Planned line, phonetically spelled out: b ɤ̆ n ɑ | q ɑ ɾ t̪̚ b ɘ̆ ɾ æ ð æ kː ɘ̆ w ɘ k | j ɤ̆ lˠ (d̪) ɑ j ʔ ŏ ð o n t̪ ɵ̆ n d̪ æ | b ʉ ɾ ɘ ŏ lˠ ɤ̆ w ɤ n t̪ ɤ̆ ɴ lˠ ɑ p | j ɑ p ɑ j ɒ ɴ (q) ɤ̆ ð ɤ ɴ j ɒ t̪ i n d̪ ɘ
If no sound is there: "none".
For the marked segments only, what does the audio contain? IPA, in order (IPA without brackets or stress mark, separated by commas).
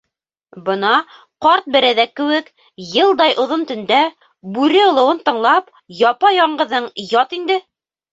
d̪, ɢ